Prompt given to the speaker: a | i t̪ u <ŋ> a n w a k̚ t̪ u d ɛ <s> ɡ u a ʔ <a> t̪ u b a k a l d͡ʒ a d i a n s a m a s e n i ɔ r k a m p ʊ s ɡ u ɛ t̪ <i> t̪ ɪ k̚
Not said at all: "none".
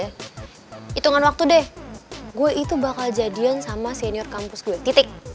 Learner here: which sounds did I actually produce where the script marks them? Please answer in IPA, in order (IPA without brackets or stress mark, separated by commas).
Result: ŋ, h, i, i